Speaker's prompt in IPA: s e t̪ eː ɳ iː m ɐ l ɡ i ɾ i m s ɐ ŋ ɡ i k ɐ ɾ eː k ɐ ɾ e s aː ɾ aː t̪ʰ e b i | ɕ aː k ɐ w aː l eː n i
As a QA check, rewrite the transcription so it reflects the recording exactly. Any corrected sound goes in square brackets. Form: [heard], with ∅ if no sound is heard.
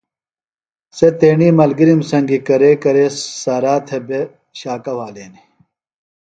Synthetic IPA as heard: s e t̪ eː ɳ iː m ɐ l ɡ i ɾ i m s ɐ ŋ ɡ i k ɐ ɾ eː k ɐ ɾ e s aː ɾ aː t̪ʰ e b [e] | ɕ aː k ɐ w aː l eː n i

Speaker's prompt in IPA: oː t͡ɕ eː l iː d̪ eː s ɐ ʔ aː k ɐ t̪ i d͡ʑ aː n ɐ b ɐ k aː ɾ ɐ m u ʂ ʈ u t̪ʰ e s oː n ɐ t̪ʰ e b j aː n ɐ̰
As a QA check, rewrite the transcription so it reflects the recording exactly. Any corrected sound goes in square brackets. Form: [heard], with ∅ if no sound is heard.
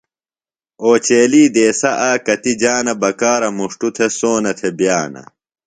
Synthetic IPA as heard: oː t͡ɕ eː l iː d̪ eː s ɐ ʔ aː k ɐ t̪ i d͡ʑ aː n ɐ b ɐ k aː ɾ ɐ m u ʂ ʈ u t̪ʰ e s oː n ɐ t̪ʰ e b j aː n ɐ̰

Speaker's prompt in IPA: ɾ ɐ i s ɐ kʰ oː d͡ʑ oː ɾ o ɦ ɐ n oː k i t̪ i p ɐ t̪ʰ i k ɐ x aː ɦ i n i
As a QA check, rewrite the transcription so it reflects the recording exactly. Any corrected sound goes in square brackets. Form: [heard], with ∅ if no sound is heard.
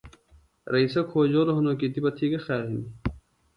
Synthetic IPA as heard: ɾ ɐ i s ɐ kʰ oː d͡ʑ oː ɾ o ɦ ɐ n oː k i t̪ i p ɐ t̪ʰ i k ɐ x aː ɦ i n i

